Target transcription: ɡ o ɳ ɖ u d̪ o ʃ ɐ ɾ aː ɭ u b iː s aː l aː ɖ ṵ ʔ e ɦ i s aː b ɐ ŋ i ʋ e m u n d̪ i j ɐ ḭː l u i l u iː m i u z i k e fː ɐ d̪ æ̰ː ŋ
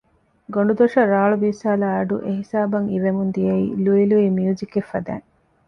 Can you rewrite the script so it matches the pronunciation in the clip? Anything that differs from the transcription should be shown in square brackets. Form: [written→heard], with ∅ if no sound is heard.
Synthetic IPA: ɡ o ɳ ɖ u d̪ o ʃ ɐ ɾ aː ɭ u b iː s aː l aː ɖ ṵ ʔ e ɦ i s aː b ɐ ŋ i ʋ e m u n d̪ i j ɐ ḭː l u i l u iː m i u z i k e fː ɐ d̪ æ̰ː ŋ